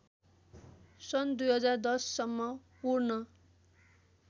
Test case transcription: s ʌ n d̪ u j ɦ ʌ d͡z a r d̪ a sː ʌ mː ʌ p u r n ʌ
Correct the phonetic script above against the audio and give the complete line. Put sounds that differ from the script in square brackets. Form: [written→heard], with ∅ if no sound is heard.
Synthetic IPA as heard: s ʌ n d̪ u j ɦ ʌ d͡z a r d̪ [a→ʌ] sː ʌ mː ʌ p u r n ʌ